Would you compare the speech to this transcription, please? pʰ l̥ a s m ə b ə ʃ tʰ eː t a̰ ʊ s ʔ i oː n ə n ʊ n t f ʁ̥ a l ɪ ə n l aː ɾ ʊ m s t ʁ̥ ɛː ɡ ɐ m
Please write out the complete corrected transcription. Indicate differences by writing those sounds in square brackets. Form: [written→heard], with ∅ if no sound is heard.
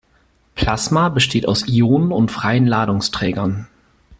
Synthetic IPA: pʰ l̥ a s m [ə→a] b ə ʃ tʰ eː t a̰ ʊ s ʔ i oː n ə n ʊ n t f ʁ̥ a [l→∅] ɪ ə n l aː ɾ ʊ [m→ŋ] s t ʁ̥ ɛː ɡ ɐ [m→n]